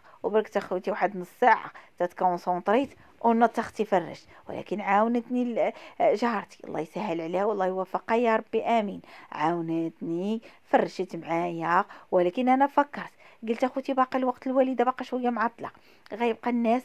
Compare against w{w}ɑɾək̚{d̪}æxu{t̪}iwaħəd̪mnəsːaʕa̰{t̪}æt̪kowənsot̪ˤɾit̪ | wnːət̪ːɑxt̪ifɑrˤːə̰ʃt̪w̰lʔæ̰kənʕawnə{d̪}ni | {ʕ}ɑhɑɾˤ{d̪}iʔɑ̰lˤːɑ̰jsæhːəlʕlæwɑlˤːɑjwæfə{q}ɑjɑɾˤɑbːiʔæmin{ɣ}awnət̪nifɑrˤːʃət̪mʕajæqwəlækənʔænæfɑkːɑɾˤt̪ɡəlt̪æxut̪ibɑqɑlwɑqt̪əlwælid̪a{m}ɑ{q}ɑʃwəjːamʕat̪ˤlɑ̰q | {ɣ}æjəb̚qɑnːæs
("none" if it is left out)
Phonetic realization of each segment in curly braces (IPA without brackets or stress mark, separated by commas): b, t̪, t̪, t̪, t̪, ʒ, t̪, q, ʕ, b, q, ɣ